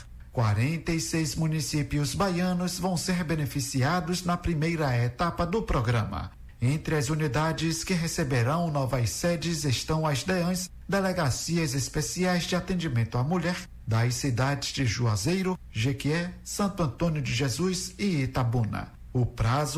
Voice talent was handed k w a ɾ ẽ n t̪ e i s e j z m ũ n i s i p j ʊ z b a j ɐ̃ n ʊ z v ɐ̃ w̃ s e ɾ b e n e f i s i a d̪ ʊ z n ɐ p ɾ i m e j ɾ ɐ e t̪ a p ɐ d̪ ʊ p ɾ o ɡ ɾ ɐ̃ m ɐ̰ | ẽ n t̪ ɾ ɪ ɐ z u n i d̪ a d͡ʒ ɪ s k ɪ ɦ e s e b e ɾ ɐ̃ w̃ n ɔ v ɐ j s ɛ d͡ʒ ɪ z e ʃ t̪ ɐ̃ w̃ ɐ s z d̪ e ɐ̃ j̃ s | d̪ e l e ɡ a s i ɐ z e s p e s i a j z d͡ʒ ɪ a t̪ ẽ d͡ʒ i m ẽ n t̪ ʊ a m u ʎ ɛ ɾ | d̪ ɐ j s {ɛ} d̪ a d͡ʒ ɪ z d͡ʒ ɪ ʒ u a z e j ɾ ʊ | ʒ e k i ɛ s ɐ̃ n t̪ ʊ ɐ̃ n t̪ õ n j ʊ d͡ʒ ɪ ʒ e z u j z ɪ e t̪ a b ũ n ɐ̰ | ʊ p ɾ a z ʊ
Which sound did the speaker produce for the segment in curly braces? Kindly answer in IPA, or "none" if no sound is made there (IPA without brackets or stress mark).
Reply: i